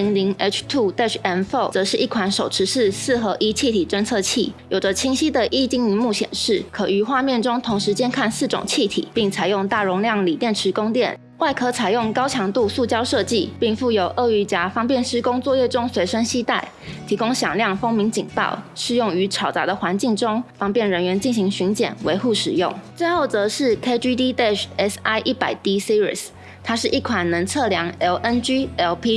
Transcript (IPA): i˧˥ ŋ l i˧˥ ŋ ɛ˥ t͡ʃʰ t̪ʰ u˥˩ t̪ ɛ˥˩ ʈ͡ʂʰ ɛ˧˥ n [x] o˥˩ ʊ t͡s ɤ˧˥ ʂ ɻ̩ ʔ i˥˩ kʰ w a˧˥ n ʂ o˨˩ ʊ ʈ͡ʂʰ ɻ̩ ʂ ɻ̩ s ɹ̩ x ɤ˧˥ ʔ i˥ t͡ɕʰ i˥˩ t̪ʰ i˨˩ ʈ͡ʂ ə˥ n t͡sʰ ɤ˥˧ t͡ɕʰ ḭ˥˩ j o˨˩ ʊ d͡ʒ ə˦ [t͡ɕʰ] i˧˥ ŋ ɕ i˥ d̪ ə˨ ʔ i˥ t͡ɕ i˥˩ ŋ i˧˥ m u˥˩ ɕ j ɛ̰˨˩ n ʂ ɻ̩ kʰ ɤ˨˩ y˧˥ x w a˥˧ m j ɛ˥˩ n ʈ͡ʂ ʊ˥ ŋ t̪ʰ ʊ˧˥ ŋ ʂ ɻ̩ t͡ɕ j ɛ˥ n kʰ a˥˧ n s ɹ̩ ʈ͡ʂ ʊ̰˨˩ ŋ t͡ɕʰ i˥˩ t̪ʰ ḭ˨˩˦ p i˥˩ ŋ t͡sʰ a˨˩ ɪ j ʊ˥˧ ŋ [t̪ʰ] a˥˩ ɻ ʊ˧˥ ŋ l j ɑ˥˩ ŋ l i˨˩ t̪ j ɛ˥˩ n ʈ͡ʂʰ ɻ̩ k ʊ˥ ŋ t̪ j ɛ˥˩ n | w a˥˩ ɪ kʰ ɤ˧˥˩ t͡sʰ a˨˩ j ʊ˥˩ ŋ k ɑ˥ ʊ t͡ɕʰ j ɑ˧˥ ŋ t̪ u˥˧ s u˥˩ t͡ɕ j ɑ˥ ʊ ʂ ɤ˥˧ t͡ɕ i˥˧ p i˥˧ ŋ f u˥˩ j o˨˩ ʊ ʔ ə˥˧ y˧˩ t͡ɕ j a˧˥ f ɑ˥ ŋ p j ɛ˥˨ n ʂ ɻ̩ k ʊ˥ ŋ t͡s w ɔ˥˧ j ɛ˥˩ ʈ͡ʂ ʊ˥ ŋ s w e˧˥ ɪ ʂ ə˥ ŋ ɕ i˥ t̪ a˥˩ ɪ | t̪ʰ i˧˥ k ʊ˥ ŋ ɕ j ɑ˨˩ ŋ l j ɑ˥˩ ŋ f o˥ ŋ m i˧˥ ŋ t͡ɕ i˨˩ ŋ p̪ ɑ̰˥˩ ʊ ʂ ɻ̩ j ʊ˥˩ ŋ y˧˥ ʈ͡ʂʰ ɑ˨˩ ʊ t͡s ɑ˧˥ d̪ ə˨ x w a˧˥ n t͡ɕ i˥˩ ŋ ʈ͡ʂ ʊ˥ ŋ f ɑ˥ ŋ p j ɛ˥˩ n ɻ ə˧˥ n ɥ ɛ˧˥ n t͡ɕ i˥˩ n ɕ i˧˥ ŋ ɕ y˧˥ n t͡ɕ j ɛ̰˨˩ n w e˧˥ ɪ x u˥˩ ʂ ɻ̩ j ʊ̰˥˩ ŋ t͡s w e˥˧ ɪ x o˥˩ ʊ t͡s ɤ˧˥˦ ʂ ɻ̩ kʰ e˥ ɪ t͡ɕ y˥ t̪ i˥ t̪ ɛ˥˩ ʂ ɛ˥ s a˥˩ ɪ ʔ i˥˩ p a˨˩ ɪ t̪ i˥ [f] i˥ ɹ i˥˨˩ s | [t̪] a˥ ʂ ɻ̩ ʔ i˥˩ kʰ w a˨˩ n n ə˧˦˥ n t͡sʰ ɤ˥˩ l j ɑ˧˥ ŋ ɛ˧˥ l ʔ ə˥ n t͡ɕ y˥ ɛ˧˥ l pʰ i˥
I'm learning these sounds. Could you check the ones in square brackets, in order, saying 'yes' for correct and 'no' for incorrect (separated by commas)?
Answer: no, yes, no, no, no